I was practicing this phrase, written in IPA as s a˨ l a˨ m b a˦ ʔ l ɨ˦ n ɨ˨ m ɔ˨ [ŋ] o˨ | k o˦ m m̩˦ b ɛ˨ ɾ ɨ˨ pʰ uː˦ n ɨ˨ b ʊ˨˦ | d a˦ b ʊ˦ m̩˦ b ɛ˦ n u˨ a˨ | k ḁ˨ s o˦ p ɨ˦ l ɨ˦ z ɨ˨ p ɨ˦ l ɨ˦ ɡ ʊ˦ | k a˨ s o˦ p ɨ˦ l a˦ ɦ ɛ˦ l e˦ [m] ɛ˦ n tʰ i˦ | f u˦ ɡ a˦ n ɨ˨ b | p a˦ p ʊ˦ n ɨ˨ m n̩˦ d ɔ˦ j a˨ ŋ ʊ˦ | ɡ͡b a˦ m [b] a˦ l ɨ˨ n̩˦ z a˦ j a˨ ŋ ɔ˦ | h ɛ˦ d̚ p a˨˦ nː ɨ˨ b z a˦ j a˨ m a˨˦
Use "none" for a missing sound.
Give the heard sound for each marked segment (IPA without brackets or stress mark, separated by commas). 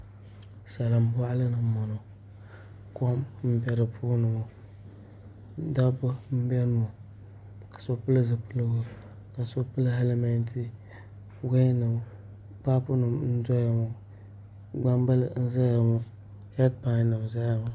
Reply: n, m, b